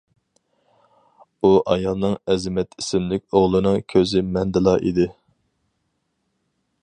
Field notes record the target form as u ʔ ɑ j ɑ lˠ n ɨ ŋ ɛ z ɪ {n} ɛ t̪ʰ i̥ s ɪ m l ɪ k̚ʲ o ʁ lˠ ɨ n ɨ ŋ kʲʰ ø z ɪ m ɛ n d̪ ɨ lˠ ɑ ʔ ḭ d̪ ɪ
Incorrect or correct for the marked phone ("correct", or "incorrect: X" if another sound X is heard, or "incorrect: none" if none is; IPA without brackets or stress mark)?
incorrect: m